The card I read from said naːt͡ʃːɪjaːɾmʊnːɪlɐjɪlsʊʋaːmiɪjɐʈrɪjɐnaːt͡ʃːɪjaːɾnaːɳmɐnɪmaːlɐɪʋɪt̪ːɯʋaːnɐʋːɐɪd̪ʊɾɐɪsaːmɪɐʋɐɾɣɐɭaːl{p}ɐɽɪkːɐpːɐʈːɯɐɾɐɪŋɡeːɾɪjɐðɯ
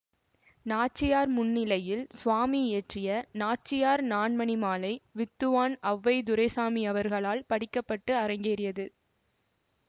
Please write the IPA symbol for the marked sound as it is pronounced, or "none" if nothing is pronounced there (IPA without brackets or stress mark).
p